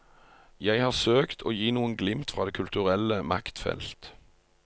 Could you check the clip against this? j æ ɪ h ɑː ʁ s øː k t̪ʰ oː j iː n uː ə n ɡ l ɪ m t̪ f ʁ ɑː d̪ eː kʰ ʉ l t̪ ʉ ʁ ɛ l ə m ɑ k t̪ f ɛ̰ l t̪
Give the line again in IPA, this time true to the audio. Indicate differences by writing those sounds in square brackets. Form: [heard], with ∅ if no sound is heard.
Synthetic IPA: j æ ɪ h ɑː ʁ s øː k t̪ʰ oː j iː n uː ə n ɡ l ɪ m t̪ f ʁ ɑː d̪ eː kʰ ʉ l t̪ ʉ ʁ ɛ l ə m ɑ k t̪ f ɛ̰ l t̪